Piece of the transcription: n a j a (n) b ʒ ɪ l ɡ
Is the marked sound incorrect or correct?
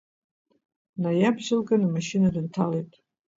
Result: incorrect